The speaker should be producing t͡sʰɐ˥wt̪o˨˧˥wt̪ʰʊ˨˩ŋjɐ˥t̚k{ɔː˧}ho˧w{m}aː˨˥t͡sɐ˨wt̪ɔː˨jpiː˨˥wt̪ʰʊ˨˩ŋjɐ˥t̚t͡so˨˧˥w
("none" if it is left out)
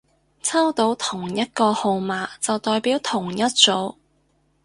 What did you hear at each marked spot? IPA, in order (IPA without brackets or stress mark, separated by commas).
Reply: ɔː˧, m